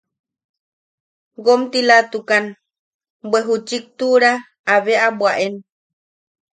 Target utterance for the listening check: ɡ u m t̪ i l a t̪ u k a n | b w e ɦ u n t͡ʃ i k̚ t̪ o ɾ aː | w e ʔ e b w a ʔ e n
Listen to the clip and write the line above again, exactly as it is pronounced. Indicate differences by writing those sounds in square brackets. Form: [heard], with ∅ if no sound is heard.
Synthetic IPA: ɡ [o] m t̪ i l a t̪ u k a n | b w e ɦ u [∅] t͡ʃ i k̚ t̪ [u] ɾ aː | [β] e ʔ [a] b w a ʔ e n